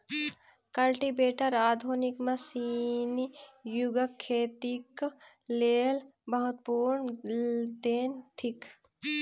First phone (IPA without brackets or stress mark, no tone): k